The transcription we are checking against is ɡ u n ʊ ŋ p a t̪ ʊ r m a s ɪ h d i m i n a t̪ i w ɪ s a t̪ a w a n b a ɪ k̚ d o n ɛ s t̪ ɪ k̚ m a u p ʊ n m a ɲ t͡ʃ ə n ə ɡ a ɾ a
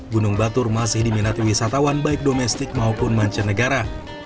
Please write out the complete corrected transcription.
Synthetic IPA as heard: ɡ u n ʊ ŋ b a t̪ ʊ r m a s ɪ h d i m i n a t̪ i w i s a t̪ a w a n b a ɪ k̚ d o m ɛ s t̪ ɪ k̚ m a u p ʊ n m a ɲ t͡ʃ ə n ə ɡ a ɾ a